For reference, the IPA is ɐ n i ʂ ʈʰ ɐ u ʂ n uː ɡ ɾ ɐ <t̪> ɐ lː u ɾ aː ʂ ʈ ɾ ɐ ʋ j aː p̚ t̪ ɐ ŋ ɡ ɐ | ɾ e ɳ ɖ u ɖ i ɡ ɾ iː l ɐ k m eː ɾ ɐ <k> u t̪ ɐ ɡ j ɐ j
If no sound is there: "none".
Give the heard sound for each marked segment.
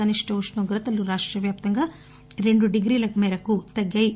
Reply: t̪, k

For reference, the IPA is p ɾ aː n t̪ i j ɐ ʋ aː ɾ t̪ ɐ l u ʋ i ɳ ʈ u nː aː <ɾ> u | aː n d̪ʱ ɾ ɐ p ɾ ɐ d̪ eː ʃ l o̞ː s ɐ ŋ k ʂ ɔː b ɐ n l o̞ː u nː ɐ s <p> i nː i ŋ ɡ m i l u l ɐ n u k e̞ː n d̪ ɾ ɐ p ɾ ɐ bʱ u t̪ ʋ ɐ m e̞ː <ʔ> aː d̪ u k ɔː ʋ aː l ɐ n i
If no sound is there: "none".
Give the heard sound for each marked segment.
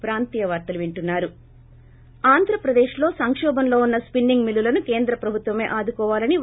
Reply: ɾ, p, ʔ

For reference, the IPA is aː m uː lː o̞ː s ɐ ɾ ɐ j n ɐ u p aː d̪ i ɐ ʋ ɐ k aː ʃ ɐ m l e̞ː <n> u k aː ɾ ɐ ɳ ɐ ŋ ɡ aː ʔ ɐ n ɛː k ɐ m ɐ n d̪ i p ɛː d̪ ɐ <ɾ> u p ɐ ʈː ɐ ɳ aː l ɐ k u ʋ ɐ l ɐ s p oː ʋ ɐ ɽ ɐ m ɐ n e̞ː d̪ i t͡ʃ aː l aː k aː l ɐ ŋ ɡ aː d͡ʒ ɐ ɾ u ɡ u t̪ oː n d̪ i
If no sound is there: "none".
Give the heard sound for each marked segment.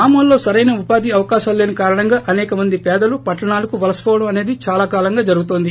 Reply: n, l

